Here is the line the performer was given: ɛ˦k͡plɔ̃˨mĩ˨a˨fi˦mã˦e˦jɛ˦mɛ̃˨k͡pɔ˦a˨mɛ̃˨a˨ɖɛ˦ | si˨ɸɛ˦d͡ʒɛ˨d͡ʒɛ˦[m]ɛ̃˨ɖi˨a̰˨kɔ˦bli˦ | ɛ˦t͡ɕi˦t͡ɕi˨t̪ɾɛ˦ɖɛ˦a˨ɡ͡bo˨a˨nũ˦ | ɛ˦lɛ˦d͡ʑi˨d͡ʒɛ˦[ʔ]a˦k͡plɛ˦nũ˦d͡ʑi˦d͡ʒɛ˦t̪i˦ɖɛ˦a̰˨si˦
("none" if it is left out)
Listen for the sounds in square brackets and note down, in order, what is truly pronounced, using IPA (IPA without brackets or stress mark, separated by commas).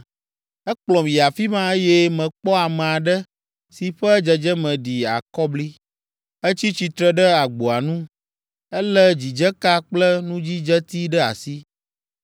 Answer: m, k